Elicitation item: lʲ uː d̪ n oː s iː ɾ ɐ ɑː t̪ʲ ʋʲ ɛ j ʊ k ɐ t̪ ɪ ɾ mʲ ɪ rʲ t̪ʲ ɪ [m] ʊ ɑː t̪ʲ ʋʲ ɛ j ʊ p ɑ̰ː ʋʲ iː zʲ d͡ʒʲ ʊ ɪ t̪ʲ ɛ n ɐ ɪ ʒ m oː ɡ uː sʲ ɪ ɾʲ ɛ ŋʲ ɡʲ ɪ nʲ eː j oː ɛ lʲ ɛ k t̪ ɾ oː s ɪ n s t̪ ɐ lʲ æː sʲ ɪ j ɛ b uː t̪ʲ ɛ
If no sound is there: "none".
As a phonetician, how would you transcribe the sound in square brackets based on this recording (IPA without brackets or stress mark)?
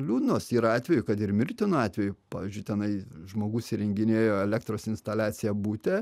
n